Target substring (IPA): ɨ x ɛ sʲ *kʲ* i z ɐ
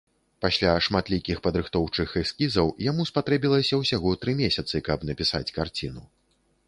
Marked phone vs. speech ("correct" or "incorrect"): correct